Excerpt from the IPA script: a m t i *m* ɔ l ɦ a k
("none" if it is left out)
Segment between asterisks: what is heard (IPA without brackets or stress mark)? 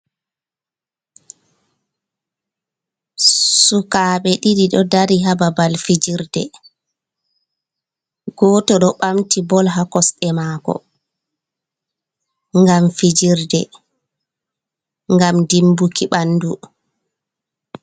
b